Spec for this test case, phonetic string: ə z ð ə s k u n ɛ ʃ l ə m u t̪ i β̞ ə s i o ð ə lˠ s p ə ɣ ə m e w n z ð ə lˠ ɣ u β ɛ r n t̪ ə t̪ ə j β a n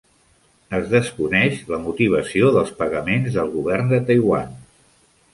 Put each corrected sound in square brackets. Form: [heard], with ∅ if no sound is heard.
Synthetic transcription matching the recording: ə z ð ə s k u n ɛ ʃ l ə m u t̪ i β̞ ə s i o ð ə lˠ s p ə ɣ ə m e [∅] n z ð ə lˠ ɣ u β ɛ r n [d̪] ə t̪ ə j [w] a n